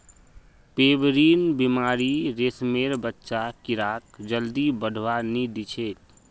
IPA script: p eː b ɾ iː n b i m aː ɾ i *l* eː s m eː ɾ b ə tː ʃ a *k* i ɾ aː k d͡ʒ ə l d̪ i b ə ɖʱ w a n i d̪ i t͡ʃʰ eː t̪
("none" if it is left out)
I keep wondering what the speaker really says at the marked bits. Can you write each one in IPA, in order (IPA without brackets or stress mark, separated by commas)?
ɾ, k